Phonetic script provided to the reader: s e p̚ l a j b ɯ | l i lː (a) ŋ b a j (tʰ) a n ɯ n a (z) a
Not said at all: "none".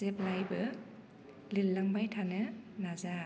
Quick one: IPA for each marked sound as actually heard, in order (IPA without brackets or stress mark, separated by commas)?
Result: a, tʰ, z